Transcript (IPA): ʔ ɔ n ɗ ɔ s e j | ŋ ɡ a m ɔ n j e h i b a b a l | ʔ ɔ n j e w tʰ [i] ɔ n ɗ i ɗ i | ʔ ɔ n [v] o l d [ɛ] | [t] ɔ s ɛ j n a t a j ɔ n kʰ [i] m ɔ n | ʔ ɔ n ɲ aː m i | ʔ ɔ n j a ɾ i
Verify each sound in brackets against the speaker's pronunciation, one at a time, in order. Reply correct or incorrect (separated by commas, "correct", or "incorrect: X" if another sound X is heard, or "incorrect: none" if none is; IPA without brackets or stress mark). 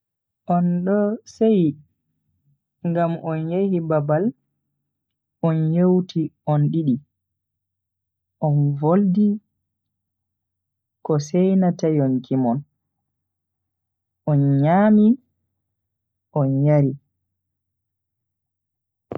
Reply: correct, correct, incorrect: i, incorrect: k, correct